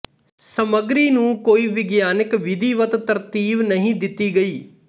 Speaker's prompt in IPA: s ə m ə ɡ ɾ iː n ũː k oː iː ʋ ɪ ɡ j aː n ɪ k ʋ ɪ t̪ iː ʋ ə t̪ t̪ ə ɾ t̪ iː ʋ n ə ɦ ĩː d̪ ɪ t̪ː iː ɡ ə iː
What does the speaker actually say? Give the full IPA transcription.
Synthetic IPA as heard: s ə m ə ɡ ɾ iː n ũː k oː iː ʋ ɪ ɡ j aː n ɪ k ʋ ɪ d̪ iː ʋ ə t̪ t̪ ə ɾ t̪ iː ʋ n ə ɦ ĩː d̪ ɪ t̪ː iː ɡ ə iː